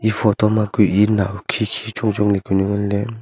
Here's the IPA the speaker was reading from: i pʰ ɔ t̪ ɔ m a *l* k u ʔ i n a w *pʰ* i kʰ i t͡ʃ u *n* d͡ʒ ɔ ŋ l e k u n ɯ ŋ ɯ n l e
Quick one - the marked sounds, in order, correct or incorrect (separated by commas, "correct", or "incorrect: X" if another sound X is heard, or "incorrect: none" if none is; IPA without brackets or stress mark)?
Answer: incorrect: none, incorrect: kʰ, incorrect: ŋ